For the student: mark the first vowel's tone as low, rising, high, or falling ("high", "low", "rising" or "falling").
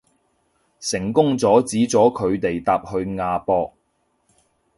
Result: low